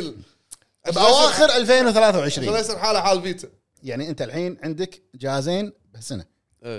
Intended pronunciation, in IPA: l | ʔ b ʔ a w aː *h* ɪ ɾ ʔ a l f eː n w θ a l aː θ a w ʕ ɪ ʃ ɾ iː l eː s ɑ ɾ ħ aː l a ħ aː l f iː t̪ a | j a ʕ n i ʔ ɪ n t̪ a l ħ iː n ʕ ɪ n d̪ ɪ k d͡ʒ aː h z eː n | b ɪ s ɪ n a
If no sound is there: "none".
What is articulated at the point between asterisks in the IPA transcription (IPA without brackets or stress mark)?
x